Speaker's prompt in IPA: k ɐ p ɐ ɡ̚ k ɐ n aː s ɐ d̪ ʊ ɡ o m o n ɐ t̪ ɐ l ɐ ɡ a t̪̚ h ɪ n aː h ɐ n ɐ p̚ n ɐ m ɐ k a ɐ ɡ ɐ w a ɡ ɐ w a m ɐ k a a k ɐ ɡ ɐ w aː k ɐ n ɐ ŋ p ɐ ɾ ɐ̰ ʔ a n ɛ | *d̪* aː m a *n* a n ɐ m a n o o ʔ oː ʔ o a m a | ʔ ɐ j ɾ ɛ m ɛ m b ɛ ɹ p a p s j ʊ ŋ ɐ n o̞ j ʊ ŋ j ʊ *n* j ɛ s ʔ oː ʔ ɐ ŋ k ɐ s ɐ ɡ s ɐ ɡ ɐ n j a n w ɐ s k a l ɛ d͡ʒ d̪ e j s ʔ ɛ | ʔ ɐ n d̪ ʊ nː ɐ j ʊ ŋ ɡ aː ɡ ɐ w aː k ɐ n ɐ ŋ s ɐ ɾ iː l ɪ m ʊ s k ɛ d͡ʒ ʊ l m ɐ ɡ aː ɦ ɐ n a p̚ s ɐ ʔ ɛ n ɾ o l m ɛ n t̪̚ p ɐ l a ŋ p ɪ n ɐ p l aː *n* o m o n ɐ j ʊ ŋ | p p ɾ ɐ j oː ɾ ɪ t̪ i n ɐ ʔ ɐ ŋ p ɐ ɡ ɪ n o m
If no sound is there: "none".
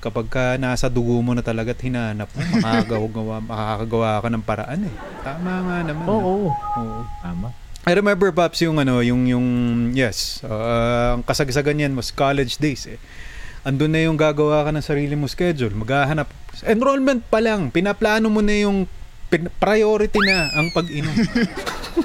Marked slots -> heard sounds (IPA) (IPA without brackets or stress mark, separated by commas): t̪, ŋ, ŋ, n